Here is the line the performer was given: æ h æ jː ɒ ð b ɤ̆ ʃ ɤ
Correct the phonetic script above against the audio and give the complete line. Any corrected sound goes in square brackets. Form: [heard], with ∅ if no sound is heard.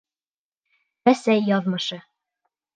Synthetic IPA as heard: æ [s] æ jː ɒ ð [m] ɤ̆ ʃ ɤ